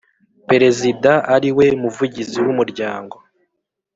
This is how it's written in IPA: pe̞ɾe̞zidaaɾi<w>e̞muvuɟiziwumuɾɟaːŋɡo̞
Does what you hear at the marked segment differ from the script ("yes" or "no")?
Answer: no